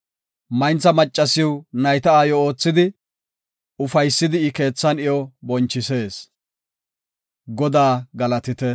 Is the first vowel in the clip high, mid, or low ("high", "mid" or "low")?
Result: low